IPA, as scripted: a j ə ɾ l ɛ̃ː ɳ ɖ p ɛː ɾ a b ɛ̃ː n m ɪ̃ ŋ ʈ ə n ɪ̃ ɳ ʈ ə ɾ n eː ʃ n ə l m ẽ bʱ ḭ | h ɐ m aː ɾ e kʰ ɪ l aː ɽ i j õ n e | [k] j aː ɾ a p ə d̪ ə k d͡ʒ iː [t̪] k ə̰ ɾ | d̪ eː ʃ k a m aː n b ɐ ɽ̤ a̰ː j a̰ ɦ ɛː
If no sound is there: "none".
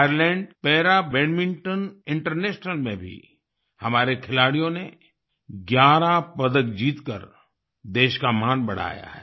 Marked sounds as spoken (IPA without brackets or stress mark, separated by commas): ɡ, t̪